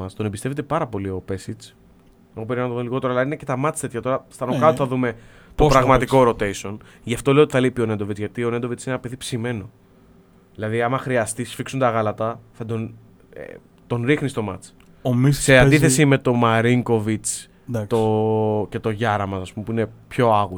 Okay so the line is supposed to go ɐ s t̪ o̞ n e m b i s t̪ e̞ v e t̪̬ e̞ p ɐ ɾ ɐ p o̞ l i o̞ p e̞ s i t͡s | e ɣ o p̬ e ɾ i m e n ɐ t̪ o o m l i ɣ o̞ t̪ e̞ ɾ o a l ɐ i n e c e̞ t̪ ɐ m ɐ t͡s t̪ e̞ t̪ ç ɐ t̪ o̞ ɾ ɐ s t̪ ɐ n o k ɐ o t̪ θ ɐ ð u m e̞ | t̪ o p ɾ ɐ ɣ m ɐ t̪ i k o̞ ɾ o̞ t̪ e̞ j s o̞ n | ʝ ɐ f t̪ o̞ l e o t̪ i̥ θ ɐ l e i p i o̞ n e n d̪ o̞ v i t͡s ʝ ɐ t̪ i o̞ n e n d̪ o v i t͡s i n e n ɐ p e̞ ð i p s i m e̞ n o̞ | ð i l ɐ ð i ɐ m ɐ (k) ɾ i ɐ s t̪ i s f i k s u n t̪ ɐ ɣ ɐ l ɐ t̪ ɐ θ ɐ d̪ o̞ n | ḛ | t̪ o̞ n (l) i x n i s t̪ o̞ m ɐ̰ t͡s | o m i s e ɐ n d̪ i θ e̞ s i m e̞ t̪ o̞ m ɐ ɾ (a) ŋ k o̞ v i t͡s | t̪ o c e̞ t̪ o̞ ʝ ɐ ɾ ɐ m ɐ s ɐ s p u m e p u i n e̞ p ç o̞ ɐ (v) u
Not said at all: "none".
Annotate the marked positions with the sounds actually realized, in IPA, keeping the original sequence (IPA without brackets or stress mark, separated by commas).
x, ɾ, i, ɣ